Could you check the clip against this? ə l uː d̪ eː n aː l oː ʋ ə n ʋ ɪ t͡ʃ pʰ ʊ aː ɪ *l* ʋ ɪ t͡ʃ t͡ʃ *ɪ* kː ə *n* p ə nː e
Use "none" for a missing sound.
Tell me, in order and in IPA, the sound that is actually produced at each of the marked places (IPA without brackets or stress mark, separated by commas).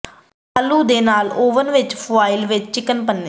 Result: l, ɪ, n